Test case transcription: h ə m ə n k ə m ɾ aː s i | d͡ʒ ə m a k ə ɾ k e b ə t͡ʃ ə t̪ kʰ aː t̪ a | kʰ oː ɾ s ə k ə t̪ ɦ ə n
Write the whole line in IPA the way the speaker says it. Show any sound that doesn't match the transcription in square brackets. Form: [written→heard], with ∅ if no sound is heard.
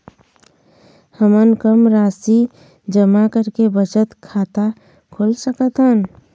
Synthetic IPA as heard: h ə m ə n k ə m ɾ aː s i | d͡ʒ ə m a k ə ɾ k e b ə t͡ʃ ə t̪ kʰ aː t̪ a | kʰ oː [ɾ→l] s ə k ə t̪ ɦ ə n